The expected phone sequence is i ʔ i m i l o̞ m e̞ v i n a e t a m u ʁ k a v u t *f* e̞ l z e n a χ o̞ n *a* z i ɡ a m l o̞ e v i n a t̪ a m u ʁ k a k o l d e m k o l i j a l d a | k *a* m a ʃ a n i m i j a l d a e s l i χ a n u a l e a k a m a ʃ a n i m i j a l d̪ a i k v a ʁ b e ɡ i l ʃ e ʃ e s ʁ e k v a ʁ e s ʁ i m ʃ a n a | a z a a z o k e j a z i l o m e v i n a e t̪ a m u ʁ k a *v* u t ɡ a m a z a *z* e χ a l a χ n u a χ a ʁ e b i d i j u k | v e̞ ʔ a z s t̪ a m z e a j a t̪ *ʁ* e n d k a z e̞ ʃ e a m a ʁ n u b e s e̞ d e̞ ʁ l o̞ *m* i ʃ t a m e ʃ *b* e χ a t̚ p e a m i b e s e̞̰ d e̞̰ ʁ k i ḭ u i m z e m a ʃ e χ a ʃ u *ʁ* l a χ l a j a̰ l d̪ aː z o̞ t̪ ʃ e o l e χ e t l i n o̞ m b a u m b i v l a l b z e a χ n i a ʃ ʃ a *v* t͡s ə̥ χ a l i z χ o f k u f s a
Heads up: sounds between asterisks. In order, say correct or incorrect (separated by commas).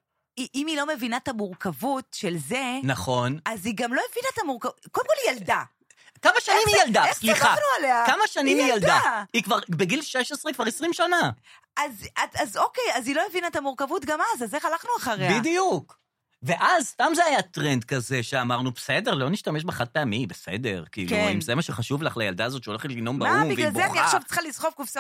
incorrect, correct, correct, correct, correct, correct, incorrect, correct, incorrect, correct